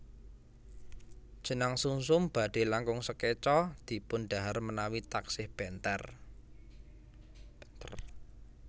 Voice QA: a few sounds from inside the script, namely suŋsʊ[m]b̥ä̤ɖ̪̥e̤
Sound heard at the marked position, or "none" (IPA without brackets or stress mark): m